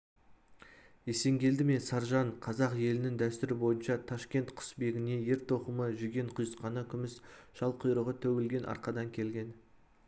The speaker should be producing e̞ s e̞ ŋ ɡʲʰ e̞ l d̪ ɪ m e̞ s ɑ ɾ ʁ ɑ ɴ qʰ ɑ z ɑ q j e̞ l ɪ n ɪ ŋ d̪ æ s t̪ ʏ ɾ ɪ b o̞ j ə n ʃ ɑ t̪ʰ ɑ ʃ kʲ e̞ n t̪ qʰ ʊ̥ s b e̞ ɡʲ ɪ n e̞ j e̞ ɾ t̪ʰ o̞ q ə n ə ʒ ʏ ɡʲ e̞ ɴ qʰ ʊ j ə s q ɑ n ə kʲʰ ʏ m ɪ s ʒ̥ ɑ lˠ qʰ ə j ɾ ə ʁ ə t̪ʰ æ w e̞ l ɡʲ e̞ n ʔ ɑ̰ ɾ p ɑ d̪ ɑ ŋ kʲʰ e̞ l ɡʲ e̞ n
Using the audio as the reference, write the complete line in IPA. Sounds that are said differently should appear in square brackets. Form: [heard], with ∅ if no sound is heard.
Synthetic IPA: e̞ s e̞ ŋ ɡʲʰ e̞ l d̪ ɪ m e̞ s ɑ ɾ [ʒ] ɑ ɴ qʰ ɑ z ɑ q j e̞ l ɪ n ɪ ŋ d̪ æ s t̪ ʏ ɾ ɪ b o̞ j ə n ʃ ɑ t̪ʰ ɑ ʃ kʲ e̞ n t̪ qʰ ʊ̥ s b e̞ ɡʲ ɪ n e̞ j e̞ ɾ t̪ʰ o̞ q ə [m] ə ʒ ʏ ɡʲ e̞ ɴ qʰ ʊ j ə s q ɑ n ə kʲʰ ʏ m ɪ s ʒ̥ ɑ lˠ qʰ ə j ɾ ə ʁ ə t̪ʰ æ w e̞ l ɡʲ e̞ n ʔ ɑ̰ ɾ [q] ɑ d̪ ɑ ŋ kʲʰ e̞ l ɡʲ e̞ n